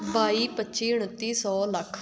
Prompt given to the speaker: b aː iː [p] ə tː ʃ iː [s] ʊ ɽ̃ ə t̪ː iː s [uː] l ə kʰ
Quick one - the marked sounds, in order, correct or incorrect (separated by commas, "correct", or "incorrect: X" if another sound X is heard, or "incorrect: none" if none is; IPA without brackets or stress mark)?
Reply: correct, incorrect: none, incorrect: ɔː